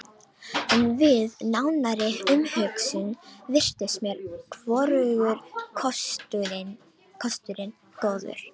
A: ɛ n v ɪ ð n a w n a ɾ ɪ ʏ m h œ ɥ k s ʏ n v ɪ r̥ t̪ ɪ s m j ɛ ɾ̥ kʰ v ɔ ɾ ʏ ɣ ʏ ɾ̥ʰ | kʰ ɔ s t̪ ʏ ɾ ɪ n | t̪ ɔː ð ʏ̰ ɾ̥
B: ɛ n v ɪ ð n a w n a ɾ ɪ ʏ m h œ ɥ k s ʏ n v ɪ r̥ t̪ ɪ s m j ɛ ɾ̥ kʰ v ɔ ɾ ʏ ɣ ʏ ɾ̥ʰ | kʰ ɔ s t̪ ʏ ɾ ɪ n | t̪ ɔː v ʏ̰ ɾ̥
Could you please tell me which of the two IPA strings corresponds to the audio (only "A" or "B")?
A